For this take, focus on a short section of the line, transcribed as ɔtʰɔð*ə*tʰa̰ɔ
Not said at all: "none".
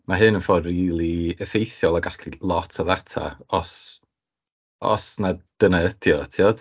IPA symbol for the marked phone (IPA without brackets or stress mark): a